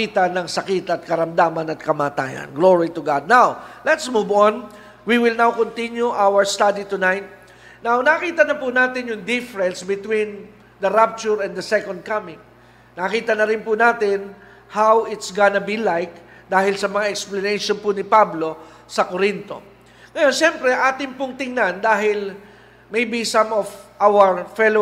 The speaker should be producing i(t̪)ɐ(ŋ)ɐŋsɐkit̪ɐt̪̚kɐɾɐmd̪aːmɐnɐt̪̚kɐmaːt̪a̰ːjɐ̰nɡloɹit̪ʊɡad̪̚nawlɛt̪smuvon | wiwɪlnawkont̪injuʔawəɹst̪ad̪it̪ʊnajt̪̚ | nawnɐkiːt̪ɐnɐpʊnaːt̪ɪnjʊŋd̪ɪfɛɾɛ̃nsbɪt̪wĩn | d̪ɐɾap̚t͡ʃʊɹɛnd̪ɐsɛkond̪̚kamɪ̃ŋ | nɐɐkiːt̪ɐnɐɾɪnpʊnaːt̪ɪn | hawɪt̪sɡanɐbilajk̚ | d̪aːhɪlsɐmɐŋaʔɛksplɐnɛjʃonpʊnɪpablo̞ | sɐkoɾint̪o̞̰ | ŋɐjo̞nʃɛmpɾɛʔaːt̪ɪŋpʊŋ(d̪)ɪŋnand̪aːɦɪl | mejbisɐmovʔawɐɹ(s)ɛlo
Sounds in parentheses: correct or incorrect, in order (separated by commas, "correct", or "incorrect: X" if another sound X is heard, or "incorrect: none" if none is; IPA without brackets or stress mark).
correct, incorrect: n, incorrect: t̪, incorrect: f